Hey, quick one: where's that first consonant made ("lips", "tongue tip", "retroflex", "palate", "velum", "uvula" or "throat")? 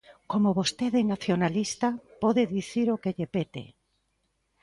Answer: velum